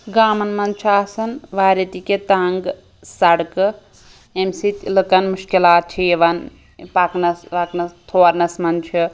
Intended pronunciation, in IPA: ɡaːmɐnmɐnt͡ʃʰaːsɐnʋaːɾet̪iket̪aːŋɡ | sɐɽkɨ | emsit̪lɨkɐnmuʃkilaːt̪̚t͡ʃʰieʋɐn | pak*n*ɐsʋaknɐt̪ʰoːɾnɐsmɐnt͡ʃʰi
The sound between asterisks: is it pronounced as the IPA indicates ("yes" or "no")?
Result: yes